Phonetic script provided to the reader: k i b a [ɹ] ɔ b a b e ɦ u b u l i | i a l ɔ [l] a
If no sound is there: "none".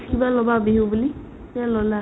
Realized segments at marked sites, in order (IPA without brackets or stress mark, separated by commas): l, l